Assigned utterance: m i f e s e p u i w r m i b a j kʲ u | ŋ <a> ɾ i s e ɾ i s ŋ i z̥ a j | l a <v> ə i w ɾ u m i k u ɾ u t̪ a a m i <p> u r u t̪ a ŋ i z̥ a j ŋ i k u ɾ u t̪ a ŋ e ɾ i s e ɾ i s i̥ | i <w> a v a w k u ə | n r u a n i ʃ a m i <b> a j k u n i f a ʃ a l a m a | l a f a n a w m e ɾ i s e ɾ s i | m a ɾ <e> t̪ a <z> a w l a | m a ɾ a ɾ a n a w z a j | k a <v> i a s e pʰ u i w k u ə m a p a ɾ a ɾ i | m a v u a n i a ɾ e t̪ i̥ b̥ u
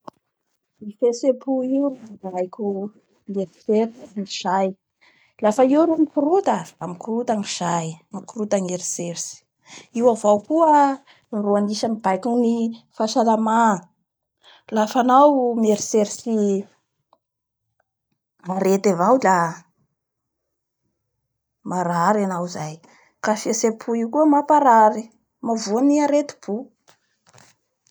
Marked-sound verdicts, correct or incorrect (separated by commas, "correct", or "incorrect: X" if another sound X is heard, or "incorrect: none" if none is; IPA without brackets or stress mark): incorrect: e, incorrect: f, incorrect: k, correct, correct, correct, incorrect: v, incorrect: f